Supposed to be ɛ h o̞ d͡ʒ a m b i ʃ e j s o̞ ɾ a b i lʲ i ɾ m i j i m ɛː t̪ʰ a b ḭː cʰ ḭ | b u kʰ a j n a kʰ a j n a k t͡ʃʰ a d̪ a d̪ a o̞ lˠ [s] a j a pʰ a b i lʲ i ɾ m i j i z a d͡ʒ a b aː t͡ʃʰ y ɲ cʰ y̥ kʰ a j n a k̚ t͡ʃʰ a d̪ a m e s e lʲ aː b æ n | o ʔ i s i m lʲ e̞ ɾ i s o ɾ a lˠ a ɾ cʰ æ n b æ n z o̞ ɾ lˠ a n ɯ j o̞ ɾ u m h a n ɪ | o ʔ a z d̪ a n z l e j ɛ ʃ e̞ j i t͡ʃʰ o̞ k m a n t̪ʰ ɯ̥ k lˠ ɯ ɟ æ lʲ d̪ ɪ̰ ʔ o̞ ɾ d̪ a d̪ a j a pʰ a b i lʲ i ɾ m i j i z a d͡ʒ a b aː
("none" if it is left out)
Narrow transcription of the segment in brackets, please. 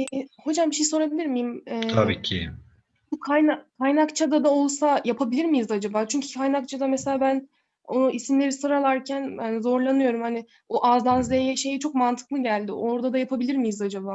s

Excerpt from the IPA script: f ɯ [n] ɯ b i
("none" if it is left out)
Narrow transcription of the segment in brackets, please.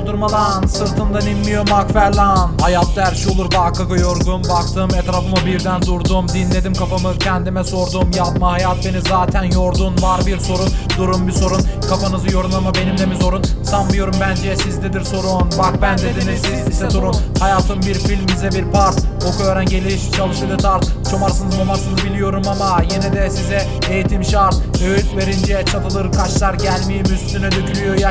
m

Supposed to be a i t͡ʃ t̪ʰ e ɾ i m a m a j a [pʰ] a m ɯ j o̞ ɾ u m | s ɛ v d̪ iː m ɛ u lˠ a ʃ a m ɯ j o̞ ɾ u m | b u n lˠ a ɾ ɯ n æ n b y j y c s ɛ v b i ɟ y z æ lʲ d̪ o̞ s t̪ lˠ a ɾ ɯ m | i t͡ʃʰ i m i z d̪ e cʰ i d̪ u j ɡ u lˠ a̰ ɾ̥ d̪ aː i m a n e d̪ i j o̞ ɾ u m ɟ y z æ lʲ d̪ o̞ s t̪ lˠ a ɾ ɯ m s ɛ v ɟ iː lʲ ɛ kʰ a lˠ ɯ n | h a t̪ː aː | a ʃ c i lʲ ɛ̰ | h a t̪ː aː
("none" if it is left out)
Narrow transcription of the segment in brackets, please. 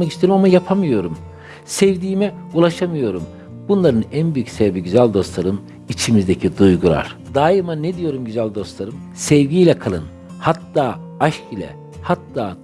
pʰ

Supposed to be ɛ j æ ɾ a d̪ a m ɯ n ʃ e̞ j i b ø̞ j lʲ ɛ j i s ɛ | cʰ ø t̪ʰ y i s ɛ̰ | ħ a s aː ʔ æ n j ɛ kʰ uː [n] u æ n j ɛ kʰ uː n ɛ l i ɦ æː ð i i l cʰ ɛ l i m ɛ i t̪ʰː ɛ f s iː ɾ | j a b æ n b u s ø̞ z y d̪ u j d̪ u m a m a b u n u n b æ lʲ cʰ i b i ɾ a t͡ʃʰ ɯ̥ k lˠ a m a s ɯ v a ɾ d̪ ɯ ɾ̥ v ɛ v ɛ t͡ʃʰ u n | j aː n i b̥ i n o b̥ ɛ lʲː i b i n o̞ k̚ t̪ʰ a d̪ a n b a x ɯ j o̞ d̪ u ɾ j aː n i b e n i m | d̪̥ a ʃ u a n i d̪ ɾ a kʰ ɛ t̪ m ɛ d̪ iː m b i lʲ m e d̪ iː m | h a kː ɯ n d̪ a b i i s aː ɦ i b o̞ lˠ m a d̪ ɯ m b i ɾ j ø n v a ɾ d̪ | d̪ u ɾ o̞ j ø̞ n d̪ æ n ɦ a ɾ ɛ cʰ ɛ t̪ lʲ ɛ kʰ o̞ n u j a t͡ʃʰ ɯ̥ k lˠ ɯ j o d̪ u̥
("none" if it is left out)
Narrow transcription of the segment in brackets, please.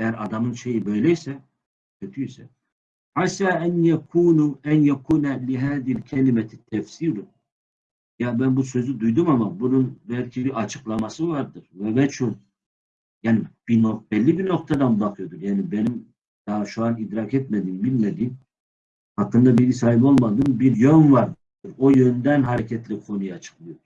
n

